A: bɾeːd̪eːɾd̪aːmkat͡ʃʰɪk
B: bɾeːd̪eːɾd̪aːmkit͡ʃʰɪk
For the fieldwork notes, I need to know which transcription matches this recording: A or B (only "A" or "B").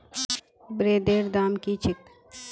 B